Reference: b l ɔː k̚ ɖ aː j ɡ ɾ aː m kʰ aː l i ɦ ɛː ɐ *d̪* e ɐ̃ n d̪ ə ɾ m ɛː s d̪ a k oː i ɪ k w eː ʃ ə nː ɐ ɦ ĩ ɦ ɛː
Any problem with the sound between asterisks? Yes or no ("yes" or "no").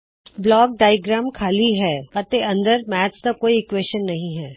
yes